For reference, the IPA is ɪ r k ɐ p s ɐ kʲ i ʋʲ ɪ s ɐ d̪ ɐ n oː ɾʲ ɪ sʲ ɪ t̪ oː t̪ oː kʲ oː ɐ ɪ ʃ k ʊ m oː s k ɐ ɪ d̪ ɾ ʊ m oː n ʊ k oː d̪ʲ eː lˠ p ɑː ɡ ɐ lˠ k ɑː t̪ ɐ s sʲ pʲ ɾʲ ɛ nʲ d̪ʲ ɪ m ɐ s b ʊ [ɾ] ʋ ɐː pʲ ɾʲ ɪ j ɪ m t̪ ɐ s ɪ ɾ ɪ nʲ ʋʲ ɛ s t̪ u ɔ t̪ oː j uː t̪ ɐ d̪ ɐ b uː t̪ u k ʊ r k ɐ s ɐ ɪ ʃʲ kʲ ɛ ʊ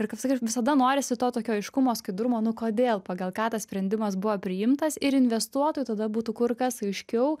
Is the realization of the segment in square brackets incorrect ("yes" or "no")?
yes